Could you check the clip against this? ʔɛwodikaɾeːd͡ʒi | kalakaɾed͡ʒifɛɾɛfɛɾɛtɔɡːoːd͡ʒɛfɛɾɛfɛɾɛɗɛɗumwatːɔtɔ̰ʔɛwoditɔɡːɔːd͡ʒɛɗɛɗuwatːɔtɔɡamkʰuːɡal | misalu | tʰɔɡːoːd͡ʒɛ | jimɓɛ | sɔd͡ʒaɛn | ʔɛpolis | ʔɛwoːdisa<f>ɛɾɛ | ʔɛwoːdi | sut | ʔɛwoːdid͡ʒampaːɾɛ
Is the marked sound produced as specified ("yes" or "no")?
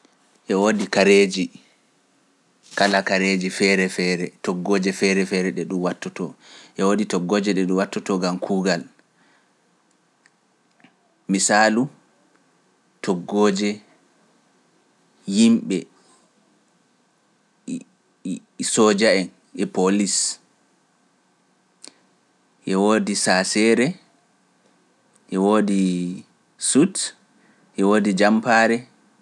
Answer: no